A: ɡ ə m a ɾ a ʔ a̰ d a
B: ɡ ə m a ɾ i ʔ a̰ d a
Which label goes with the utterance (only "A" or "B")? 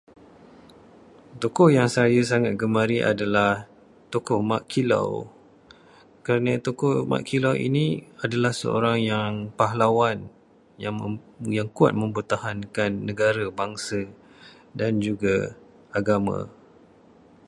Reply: B